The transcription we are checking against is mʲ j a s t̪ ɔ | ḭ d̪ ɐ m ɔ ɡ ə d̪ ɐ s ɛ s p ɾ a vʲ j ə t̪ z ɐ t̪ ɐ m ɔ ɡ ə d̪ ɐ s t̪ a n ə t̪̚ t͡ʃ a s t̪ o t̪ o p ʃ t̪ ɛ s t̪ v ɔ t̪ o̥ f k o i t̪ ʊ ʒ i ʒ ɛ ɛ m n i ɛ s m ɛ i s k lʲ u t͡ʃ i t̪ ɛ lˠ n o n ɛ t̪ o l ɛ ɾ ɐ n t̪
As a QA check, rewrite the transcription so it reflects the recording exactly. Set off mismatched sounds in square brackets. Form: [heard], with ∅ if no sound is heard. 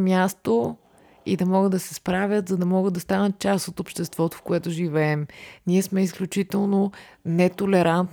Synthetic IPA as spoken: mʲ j a s t̪ [o] | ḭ d̪ ɐ m ɔ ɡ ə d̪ ɐ s ɛ s p ɾ a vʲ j ə t̪ z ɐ [d̪] ɐ m ɔ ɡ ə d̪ ɐ s t̪ a n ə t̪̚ t͡ʃ a s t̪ o t̪ o p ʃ t̪ ɛ s t̪ v ɔ t̪ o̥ f k o [ɛ] t̪ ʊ ʒ i [v] ɛ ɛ m n i ɛ s m ɛ i s k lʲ u t͡ʃ i t̪ ɛ lˠ n o n ɛ t̪ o l ɛ ɾ [a] n t̪